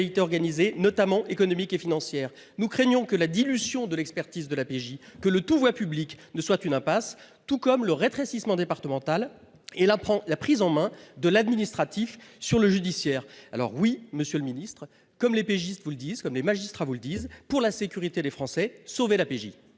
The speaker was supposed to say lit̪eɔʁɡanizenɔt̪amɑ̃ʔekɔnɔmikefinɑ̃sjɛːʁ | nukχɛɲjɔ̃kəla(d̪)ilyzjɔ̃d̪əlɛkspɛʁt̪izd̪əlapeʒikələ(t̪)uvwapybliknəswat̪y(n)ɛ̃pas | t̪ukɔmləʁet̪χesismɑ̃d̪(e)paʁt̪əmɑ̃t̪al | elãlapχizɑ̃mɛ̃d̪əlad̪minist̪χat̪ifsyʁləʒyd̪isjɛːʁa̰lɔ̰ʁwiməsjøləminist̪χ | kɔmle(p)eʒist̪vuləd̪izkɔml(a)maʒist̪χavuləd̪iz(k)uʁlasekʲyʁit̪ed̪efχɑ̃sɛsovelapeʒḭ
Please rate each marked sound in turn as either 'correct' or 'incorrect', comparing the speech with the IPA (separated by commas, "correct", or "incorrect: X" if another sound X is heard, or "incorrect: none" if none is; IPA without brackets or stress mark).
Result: correct, correct, correct, correct, correct, incorrect: e, incorrect: p